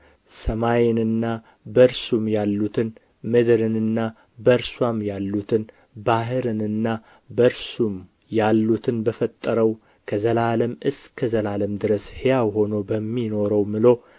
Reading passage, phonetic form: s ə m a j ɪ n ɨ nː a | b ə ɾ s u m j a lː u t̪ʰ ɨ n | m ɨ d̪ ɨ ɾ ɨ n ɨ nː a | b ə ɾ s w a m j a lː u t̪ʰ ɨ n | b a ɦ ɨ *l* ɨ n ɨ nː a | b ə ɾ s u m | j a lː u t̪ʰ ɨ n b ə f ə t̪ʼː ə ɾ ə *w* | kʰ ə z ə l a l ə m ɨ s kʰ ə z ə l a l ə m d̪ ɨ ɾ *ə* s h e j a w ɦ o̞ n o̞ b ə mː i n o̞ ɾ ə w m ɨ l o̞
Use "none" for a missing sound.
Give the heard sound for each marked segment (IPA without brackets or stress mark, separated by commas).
ɾ, w, ə